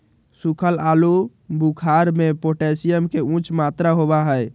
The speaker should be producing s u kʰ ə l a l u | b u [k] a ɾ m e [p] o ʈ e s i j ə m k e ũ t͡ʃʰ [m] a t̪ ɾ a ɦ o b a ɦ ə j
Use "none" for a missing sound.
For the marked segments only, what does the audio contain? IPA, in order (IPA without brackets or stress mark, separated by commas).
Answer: kʰ, p, m